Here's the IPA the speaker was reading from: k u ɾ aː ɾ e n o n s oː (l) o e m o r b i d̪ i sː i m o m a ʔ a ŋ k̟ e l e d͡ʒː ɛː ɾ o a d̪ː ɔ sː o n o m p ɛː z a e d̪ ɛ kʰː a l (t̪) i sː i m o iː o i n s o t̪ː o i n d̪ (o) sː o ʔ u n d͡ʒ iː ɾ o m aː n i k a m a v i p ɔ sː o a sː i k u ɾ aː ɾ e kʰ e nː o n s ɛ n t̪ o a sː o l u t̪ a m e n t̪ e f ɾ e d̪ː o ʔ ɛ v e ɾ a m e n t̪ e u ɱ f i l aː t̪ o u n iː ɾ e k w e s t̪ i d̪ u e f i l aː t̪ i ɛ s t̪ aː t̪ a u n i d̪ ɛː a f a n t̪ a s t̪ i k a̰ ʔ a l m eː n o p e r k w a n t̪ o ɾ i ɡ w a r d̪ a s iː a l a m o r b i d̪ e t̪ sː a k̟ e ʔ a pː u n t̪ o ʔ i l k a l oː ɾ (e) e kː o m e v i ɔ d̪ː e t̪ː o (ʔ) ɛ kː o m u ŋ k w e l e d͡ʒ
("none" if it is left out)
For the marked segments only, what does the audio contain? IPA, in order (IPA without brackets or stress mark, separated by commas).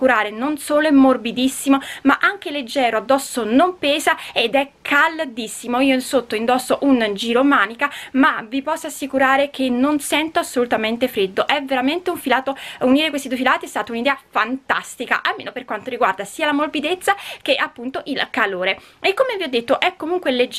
l, d̪, ɔ, e, ʔ